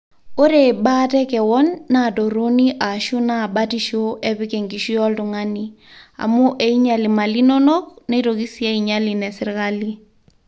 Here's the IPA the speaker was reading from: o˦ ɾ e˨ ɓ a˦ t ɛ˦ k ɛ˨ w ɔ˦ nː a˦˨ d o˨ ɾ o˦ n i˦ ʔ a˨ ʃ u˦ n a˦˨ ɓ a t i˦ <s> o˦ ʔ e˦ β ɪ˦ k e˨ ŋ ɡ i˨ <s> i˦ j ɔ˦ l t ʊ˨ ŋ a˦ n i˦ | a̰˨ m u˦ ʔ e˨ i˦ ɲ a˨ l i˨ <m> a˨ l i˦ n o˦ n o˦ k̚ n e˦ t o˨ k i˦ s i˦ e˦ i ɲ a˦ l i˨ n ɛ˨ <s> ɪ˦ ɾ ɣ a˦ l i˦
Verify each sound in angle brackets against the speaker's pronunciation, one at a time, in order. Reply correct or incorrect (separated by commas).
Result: incorrect, incorrect, correct, correct